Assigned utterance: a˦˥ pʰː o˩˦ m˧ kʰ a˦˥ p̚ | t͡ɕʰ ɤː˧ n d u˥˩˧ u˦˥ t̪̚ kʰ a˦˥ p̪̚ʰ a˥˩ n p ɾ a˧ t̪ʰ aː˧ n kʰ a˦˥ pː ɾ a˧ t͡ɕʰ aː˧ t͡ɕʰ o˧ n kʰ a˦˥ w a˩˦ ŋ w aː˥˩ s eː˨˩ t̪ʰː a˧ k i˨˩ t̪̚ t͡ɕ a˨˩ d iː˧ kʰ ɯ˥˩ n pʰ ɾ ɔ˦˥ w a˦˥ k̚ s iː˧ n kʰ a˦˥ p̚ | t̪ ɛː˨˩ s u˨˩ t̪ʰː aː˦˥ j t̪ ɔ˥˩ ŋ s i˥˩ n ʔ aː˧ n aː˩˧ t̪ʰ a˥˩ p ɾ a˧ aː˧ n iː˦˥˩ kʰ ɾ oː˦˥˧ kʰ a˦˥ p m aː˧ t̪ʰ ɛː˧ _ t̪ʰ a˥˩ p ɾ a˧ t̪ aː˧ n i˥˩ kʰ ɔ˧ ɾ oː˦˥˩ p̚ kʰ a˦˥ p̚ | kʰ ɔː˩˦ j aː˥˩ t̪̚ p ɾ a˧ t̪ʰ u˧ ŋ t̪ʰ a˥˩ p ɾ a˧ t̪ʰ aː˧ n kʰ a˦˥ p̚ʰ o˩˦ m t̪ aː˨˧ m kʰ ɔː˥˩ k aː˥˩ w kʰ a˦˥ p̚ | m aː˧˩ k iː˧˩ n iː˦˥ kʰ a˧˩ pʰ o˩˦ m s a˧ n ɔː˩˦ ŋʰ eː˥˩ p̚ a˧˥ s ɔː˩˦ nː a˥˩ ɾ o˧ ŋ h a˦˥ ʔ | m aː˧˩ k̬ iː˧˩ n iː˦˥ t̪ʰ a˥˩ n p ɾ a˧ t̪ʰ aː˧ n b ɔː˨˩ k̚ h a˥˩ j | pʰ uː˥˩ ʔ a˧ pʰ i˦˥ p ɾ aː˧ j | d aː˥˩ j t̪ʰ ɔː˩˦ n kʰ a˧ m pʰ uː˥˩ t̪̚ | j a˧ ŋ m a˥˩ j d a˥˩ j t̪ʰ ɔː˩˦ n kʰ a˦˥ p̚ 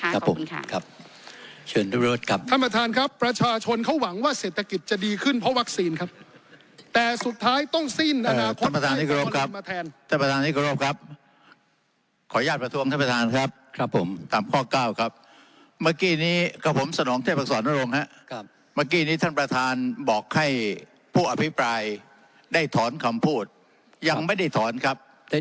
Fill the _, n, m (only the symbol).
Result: n